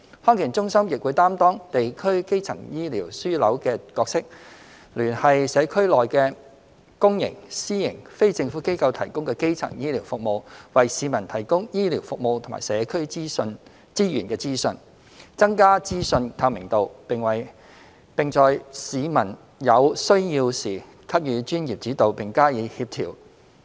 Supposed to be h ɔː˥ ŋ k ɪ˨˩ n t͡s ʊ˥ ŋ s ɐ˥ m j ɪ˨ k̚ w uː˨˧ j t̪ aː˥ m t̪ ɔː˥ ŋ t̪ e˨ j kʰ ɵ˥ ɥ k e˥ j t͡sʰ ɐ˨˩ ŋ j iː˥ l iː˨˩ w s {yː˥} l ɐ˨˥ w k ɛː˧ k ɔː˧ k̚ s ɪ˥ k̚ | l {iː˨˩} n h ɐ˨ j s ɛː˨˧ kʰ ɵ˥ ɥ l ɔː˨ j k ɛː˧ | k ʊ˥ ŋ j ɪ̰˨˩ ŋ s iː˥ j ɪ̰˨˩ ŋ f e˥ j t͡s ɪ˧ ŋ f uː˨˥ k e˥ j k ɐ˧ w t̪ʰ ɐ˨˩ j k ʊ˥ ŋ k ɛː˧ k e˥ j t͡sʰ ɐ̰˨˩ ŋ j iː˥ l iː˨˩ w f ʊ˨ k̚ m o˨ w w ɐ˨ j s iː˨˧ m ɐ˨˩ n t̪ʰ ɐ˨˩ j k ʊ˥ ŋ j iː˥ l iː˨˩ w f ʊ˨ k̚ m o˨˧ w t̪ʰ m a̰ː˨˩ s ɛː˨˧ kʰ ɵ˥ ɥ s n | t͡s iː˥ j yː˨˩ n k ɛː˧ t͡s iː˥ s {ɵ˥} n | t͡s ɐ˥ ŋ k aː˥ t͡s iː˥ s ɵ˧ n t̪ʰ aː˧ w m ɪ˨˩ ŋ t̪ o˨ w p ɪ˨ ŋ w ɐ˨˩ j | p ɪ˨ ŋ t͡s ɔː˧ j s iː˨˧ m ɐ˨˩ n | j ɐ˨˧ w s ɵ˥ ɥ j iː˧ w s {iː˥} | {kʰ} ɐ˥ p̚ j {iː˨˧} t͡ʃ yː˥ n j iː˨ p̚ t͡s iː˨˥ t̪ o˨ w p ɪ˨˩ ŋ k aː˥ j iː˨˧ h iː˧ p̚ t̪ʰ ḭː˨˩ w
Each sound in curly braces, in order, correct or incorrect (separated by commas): correct, incorrect, incorrect, incorrect, correct, incorrect